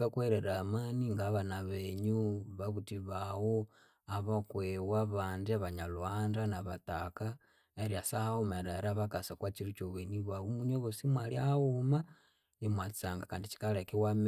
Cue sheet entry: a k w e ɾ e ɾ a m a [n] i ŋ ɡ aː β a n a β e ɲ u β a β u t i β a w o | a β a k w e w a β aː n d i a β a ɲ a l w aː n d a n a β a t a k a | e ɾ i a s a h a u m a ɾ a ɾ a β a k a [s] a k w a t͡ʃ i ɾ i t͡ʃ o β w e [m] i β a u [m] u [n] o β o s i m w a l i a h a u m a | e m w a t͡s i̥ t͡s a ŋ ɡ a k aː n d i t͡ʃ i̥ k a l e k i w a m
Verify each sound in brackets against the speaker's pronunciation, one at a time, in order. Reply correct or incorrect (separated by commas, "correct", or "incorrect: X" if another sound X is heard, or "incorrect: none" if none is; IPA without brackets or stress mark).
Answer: correct, correct, incorrect: n, correct, incorrect: ɲ